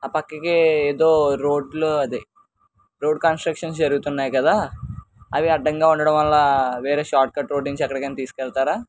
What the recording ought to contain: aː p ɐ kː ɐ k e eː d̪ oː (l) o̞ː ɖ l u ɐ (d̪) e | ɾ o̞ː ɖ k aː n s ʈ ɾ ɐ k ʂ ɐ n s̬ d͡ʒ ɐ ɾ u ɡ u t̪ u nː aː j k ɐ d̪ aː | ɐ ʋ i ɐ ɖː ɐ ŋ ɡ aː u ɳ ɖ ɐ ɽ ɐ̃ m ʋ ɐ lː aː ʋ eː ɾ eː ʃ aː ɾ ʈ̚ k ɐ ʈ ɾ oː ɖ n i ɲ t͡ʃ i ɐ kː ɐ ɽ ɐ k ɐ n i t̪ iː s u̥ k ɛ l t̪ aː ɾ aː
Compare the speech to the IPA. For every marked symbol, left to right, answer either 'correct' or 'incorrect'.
incorrect: ɾ, correct

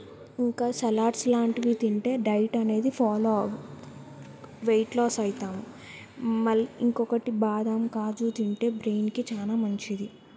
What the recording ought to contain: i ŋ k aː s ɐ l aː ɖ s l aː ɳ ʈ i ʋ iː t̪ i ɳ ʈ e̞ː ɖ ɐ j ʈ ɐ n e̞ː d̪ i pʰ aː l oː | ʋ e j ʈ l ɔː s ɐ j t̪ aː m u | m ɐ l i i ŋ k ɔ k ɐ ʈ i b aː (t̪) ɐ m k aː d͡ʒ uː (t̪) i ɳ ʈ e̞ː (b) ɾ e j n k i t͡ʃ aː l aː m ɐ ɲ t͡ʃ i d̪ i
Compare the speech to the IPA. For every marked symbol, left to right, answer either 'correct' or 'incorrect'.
incorrect: d̪, correct, correct

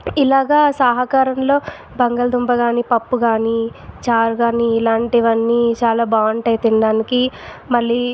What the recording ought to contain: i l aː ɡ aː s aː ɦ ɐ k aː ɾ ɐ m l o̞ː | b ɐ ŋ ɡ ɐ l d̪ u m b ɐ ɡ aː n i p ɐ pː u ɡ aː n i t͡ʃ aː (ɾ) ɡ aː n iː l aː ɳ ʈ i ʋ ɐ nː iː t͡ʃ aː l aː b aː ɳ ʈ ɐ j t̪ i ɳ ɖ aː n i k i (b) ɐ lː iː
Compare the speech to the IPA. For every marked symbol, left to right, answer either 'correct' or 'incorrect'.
correct, incorrect: m

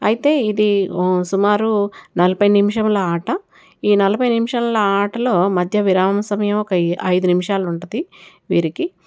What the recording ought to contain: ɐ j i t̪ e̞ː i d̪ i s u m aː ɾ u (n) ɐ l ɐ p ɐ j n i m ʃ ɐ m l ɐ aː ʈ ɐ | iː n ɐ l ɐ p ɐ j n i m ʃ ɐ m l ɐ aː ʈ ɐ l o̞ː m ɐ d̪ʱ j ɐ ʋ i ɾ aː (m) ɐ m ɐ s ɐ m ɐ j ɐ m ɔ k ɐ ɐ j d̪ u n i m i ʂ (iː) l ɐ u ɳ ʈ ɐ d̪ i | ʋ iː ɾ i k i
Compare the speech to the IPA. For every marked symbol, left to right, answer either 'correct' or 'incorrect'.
correct, correct, incorrect: aː

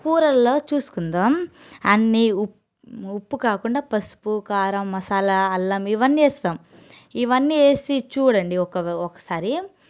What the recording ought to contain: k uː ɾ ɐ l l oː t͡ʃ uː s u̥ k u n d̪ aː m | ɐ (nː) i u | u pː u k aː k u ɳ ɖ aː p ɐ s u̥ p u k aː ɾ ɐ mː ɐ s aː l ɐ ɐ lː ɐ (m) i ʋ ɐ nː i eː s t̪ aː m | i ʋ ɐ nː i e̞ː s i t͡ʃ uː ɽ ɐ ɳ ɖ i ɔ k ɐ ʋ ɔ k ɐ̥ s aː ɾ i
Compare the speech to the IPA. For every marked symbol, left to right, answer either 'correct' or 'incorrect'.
correct, correct

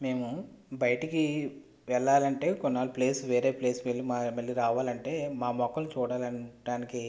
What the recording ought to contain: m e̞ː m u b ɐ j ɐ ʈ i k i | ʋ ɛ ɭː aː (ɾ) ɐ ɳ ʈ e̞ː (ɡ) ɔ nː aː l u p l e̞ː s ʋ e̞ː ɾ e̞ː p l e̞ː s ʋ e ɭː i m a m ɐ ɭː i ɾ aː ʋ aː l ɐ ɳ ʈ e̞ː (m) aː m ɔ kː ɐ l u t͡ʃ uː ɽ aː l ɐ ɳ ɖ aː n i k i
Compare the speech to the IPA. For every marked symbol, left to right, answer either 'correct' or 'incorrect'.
incorrect: l, incorrect: k, correct

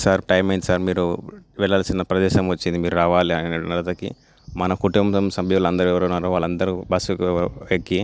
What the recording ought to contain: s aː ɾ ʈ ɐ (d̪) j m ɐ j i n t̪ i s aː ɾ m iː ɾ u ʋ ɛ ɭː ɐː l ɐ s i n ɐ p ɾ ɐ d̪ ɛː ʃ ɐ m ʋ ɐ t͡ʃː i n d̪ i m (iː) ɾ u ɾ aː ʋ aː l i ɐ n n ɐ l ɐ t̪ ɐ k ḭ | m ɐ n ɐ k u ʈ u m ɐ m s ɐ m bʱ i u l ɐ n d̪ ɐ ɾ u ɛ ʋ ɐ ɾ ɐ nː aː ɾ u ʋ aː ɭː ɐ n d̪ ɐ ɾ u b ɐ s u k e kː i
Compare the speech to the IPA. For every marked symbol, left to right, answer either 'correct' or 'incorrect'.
incorrect: none, correct

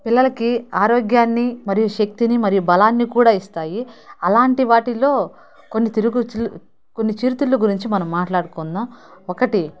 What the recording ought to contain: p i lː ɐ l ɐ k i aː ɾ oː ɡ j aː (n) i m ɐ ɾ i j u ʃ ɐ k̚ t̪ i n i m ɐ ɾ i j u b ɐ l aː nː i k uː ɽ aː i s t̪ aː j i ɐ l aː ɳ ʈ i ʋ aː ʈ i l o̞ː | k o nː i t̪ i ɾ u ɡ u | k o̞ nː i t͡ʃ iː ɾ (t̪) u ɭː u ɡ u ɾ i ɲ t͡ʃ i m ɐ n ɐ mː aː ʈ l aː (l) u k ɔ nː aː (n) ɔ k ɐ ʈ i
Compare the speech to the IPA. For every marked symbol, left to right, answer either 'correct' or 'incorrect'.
incorrect: nː, correct, incorrect: ɽ, incorrect: m

